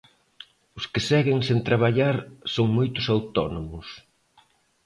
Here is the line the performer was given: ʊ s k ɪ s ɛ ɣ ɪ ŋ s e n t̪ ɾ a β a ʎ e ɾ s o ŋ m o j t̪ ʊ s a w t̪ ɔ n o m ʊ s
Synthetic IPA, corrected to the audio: ʊ s k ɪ s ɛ ɣ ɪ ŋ s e n t̪ ɾ a β a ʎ a ɾ s o ŋ m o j t̪ ʊ s a w t̪ ɔ n o m ʊ s